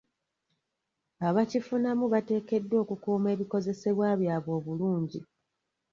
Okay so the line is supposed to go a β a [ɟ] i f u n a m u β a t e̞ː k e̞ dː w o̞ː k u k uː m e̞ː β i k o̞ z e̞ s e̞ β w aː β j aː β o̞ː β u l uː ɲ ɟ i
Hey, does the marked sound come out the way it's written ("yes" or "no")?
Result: no